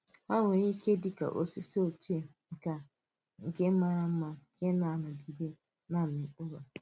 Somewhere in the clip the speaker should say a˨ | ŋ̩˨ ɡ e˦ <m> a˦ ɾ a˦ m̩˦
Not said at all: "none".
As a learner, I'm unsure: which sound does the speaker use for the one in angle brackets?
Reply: m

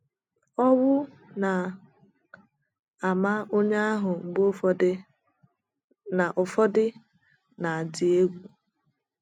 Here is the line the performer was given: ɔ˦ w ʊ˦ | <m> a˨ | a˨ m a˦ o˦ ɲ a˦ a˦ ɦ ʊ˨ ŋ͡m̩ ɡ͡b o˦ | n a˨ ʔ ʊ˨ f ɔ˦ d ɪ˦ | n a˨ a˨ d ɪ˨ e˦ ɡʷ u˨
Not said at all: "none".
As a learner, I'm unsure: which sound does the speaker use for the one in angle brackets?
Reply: n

